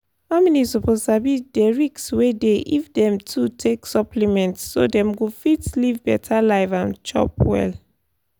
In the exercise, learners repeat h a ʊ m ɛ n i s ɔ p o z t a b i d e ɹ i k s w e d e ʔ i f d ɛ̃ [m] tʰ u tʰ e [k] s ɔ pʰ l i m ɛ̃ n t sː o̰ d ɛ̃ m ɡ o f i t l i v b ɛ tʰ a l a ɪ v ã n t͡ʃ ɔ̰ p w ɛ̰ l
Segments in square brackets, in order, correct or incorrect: correct, correct

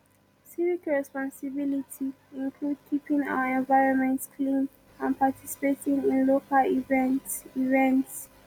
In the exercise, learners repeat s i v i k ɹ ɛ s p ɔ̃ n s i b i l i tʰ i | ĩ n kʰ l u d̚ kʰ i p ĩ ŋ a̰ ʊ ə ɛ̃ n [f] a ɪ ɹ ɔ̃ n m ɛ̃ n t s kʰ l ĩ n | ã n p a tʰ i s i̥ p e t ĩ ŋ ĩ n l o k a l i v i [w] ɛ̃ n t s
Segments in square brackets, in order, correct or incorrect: incorrect, incorrect

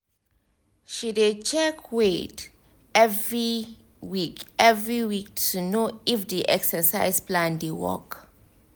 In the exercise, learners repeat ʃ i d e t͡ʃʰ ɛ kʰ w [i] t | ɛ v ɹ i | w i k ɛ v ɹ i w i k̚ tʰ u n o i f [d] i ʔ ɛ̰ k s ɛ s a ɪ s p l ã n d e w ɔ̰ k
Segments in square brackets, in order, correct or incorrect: incorrect, correct

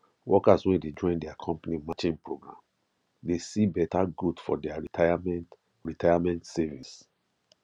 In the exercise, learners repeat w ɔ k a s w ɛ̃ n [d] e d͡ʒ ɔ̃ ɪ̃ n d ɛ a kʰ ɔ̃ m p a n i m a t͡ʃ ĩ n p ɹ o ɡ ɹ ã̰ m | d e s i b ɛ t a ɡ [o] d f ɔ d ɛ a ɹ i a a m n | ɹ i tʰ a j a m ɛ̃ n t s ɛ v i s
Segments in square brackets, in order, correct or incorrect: correct, incorrect

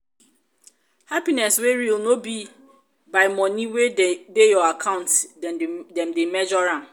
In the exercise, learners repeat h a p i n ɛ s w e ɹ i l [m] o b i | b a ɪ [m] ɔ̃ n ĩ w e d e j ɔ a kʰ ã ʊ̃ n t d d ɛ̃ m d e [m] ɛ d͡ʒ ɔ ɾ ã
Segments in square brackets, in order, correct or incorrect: incorrect, correct, correct

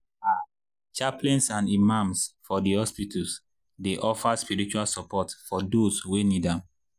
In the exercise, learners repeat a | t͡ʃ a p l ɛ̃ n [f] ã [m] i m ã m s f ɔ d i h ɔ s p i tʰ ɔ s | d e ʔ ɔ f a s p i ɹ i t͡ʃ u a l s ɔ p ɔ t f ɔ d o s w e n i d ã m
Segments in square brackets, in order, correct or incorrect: incorrect, incorrect

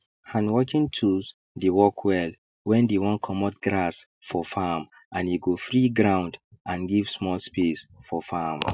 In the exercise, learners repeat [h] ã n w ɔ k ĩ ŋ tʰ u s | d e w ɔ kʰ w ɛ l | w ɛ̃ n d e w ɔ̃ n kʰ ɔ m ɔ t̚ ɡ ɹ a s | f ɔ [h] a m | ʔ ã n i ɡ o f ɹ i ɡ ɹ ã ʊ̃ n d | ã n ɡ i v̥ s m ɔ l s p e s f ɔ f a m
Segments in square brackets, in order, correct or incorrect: correct, incorrect

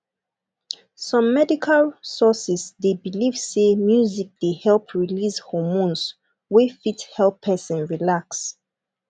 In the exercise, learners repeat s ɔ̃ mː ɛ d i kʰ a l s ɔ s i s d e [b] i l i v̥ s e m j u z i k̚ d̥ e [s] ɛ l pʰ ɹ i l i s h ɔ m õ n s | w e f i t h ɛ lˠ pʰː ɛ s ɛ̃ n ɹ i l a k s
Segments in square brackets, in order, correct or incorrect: correct, incorrect

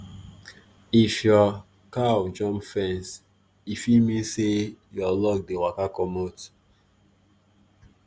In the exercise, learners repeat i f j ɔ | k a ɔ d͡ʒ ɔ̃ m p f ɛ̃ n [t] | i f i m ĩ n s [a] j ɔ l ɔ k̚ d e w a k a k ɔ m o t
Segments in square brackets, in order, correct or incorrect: incorrect, incorrect

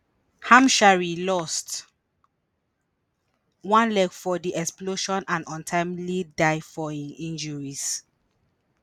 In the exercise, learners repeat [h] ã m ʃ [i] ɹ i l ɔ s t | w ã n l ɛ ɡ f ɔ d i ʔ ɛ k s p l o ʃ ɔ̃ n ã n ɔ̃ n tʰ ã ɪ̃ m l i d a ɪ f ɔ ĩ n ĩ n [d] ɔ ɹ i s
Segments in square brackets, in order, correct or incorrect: correct, incorrect, incorrect

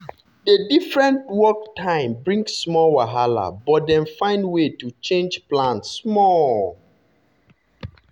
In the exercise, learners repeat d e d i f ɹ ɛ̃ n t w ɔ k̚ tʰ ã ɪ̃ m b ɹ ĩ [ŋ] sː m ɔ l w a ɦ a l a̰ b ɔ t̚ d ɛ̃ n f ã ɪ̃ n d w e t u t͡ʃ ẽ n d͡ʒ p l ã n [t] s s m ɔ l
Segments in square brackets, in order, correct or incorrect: correct, correct

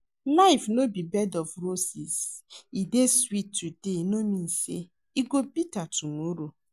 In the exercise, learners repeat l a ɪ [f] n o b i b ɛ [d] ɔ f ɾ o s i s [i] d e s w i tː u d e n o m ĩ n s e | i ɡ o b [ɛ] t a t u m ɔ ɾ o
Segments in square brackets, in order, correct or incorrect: correct, correct, correct, incorrect

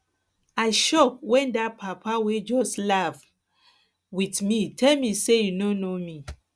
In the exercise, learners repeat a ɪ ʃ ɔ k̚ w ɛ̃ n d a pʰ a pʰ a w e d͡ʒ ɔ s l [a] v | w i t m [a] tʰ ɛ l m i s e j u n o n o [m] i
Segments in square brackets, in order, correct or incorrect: correct, incorrect, correct

